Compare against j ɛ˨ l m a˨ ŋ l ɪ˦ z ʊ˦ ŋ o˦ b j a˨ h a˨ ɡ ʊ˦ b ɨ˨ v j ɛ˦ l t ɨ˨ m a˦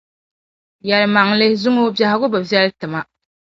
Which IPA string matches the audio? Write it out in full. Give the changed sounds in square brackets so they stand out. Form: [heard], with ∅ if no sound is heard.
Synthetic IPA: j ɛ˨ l m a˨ ŋ l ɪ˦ z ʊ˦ ŋ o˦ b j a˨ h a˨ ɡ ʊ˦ b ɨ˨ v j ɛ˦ l t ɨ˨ m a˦